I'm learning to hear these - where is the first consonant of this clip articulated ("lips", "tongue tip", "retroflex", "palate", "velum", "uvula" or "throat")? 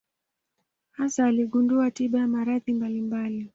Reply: throat